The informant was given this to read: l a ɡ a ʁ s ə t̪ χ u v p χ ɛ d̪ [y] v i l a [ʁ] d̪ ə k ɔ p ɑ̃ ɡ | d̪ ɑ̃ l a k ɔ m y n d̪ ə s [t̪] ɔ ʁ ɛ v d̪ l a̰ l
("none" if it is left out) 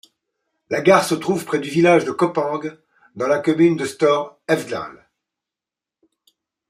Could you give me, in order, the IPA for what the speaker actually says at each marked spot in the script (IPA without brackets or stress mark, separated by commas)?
y, ʒ, t̪